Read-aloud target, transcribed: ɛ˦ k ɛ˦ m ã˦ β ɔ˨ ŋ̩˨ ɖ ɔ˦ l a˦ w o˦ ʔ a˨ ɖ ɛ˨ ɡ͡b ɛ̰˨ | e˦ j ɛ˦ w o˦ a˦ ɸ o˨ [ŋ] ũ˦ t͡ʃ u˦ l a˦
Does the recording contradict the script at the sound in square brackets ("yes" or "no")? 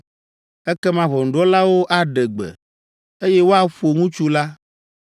no